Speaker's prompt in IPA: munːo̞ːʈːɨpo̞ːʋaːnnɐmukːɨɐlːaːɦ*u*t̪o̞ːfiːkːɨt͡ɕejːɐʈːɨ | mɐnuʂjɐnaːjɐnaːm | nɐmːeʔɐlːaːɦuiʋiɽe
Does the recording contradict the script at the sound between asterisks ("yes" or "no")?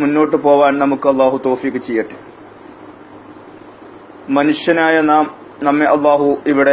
no